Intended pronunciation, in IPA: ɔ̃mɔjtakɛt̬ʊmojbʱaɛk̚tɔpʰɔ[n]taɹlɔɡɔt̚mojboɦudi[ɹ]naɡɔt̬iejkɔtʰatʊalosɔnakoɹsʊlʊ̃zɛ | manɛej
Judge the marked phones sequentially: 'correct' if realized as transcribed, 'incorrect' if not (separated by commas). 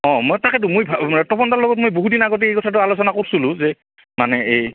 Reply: correct, incorrect